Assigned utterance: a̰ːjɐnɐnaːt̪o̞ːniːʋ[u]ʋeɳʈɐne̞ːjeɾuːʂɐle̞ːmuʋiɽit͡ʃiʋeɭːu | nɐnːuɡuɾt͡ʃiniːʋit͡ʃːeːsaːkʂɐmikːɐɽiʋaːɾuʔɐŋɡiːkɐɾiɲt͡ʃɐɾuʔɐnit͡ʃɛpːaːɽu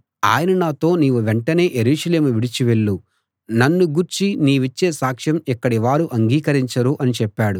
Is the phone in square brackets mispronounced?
no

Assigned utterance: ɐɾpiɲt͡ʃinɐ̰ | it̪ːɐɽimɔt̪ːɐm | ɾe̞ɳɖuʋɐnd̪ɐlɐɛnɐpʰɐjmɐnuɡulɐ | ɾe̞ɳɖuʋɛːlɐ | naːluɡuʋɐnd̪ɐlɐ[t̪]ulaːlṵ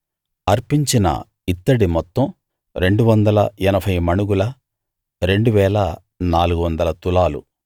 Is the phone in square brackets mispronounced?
no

